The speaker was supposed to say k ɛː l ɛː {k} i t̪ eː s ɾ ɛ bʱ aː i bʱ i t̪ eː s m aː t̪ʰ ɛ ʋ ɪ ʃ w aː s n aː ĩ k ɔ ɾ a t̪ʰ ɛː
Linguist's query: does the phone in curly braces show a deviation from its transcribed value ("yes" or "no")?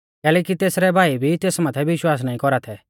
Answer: no